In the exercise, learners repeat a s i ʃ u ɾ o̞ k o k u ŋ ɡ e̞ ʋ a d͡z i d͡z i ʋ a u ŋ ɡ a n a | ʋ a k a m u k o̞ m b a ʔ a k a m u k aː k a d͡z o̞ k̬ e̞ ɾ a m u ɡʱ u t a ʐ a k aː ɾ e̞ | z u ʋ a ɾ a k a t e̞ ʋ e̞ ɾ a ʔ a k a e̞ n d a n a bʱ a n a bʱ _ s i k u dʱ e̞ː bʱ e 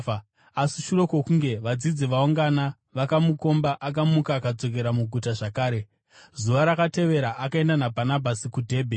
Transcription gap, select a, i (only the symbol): a